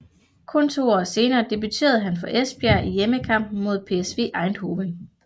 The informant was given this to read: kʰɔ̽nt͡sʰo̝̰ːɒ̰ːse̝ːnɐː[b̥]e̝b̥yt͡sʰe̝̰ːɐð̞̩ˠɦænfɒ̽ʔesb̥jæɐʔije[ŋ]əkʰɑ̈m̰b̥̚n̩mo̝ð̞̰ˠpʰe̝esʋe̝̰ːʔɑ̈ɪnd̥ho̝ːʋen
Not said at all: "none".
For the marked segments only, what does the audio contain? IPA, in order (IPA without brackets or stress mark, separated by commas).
d̥, m